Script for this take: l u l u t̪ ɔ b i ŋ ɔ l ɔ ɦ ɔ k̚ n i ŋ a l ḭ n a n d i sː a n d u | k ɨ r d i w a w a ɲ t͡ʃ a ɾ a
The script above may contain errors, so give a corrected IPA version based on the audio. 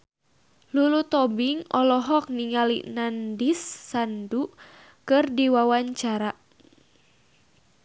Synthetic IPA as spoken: l u l u t̪ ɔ b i ŋ ɔ l ɔ ɦ ɔ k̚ n i ŋ a l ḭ n a n d i sː a n d u | k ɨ r d i w a w a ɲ t͡ʃ a ɾ a